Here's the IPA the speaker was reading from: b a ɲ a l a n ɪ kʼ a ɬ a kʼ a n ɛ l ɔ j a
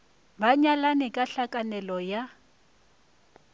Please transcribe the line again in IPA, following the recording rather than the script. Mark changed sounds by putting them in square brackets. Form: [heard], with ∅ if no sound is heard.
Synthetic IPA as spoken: b a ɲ a l a n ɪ kʼ a ɬ a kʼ a n ɛ l ɔ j a